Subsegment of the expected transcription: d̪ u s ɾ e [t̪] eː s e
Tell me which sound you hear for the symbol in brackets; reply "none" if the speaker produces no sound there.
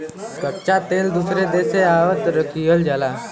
d̪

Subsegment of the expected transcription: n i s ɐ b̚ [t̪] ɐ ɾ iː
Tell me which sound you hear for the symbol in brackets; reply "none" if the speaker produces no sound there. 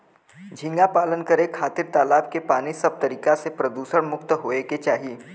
t̪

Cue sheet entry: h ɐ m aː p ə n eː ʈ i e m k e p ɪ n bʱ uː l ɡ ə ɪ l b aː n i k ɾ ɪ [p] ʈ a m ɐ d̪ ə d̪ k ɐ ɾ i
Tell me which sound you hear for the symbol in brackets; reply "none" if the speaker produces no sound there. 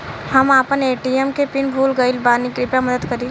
p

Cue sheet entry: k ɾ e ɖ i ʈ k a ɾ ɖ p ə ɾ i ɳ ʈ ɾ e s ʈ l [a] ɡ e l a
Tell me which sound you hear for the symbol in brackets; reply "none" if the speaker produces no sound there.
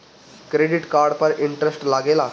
a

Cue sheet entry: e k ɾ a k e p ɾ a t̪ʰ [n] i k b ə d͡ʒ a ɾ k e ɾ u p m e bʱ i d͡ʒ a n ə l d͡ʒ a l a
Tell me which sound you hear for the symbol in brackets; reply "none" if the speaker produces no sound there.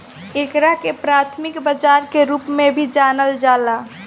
m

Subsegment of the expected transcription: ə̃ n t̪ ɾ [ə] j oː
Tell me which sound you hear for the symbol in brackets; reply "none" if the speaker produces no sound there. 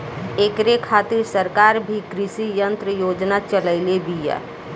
ə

